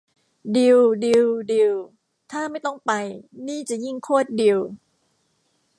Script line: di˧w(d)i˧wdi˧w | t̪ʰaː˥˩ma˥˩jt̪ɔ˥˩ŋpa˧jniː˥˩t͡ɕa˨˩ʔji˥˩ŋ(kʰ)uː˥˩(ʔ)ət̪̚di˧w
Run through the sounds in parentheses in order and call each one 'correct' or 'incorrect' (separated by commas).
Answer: correct, correct, incorrect